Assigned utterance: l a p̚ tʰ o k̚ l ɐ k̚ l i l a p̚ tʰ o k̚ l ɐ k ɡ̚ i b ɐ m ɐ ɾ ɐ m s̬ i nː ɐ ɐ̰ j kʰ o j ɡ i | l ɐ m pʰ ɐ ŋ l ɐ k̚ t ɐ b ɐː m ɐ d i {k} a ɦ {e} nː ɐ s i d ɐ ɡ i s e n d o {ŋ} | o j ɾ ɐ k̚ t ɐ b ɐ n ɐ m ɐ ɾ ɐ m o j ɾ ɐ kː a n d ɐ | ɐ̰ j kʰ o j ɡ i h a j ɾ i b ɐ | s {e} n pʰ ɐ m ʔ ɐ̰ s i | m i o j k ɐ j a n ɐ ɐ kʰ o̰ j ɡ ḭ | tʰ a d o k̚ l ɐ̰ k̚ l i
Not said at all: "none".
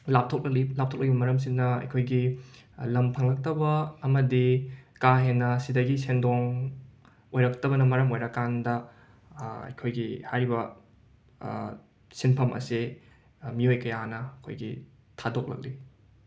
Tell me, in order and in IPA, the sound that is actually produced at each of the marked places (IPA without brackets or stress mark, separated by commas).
k, e, ŋ, i